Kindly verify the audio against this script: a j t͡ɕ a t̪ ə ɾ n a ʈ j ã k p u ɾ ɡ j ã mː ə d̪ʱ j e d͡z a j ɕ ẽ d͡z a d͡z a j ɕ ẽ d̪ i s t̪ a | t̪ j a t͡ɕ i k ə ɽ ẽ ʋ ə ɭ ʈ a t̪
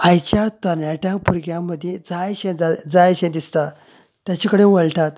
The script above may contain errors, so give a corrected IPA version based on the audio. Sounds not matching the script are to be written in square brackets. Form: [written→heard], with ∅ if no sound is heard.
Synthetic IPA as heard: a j t͡ɕ a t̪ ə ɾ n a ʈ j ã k p u ɾ ɡ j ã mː ə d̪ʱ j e d͡z a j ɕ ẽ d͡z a d͡z a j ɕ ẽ d̪ i s t̪ a | t̪ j a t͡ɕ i k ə ɽ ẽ ʋ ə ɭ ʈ a t̪